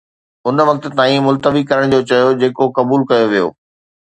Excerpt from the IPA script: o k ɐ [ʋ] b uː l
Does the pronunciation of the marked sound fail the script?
yes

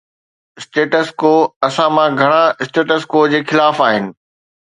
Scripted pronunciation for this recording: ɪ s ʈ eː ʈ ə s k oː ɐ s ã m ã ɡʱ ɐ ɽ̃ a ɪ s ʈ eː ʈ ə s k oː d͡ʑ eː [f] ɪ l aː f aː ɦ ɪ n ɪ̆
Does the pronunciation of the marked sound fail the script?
yes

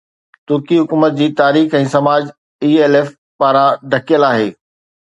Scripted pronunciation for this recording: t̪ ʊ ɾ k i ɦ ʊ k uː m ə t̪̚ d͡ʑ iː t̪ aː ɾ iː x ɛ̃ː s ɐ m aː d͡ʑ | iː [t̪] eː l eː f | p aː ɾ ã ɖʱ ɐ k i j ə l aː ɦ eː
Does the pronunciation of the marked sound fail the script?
yes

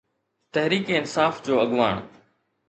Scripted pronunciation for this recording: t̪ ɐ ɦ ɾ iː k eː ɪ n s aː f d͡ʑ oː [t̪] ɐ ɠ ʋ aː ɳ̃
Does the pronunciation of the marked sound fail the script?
yes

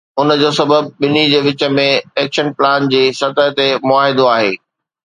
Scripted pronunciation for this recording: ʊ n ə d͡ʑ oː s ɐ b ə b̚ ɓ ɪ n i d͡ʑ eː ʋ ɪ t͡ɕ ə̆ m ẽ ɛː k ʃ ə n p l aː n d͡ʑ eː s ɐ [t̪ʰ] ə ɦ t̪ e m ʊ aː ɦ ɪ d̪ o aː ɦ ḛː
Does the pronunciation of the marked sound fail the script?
yes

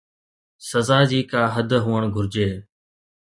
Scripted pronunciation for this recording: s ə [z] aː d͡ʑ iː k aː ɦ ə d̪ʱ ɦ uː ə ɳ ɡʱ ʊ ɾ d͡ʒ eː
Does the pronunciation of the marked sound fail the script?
no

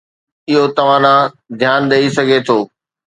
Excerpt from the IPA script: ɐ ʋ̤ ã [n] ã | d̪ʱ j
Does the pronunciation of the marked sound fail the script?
no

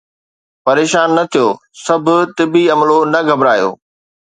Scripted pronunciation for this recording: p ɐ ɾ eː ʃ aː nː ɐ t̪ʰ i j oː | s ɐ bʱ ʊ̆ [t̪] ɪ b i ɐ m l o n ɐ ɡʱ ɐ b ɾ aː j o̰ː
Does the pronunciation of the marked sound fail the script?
no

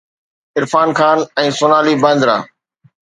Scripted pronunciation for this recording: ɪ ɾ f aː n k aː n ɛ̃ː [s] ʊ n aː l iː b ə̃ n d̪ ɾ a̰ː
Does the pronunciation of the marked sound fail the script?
no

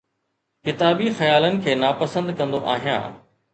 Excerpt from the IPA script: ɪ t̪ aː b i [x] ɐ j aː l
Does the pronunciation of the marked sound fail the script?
no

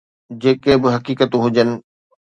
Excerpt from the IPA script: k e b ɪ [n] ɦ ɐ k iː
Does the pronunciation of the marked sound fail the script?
yes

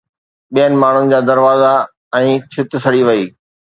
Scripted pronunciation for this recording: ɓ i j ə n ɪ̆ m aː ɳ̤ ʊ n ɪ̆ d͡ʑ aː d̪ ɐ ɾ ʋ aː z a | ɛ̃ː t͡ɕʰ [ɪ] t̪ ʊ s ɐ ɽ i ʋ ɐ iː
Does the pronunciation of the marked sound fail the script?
no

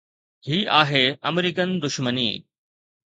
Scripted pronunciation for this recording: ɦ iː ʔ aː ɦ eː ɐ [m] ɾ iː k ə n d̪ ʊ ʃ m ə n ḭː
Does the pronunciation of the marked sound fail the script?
no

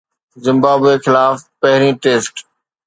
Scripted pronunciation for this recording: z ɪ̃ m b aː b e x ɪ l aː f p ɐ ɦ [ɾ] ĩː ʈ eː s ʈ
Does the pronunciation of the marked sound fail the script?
no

